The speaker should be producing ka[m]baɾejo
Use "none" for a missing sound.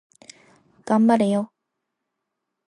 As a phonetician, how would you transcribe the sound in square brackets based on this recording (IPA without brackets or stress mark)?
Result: m